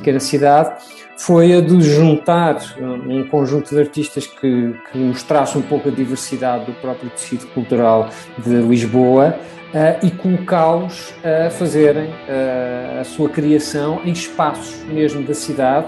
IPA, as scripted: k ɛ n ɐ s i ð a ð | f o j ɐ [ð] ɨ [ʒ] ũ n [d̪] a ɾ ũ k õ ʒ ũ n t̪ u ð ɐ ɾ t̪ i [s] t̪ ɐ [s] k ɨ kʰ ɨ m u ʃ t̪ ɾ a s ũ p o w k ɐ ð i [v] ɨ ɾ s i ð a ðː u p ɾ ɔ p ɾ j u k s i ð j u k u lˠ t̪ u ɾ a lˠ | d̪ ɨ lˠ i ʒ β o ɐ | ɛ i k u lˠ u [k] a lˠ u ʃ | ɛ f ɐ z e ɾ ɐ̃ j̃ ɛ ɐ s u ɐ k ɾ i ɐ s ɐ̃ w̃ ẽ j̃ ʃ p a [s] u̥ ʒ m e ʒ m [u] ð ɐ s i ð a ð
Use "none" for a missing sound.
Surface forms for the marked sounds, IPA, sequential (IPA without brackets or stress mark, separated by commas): ð, ʒ, t̪, ʃ, ʃ, v, k, s, u